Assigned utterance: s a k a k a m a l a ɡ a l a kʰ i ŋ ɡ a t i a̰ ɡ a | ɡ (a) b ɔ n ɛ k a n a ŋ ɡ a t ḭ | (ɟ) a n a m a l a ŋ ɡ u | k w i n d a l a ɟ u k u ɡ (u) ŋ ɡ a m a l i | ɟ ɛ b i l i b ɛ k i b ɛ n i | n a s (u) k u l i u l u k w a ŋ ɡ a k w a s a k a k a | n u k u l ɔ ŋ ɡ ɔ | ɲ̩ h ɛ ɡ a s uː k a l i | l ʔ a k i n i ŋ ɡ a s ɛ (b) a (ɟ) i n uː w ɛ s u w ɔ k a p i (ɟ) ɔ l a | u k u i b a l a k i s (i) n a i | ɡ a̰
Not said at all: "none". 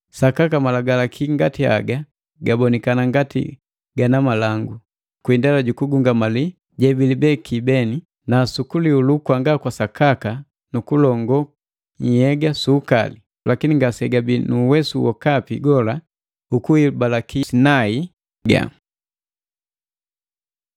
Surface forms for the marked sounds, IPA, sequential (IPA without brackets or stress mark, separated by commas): a, ɡ, u, u, ɡ, b, ɡ, i